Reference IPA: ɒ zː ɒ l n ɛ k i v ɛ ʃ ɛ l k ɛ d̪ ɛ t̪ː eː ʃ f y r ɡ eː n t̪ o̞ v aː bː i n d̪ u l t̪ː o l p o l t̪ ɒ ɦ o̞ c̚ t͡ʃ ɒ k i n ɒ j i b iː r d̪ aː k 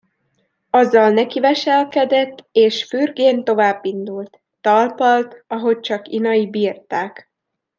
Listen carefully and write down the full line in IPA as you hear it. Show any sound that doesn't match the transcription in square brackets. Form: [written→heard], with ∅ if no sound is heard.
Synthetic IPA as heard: ɒ zː ɒ l n ɛ k i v ɛ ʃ ɛ l k ɛ d̪ ɛ t̪ː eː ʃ f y r ɡ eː n t̪ o̞ v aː bː i n d̪ u l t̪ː [o→ɒ] l p [o→ɒ] l t̪ ɒ ɦ o̞ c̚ t͡ʃ ɒ k i n ɒ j i b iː r [d̪→t̪] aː k